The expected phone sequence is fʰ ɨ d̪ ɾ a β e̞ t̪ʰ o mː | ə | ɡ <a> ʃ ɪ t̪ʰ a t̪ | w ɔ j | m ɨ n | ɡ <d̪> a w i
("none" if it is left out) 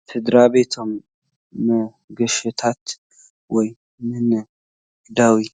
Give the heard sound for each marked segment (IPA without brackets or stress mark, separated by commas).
ə, d̪